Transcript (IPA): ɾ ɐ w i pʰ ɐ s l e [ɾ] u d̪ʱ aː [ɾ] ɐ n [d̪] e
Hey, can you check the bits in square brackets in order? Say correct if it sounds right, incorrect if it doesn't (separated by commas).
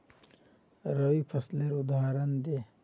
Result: correct, correct, correct